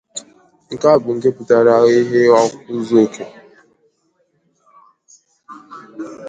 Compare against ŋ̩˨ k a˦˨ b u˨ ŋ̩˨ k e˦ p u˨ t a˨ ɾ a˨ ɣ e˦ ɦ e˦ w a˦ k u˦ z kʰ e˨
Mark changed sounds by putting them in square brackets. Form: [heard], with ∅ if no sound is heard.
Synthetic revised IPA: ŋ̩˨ k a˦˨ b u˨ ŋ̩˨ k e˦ p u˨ t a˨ ɾ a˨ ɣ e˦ ɦ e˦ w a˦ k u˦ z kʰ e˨